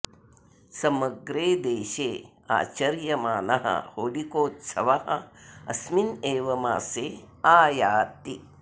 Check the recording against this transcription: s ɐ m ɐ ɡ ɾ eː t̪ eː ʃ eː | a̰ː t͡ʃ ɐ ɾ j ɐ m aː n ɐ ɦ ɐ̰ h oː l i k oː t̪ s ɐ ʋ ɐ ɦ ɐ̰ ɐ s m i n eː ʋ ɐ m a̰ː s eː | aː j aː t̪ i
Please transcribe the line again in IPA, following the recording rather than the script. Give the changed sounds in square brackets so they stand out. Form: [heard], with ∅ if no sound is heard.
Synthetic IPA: s ɐ m ɐ ɡ ɾ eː [d̪] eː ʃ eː | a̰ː t͡ʃ ɐ ɾ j ɐ m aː n ɐ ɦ ɐ̰ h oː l i k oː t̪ s ɐ ʋ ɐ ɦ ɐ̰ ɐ s m i n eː ʋ ɐ m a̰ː s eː | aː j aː t̪ i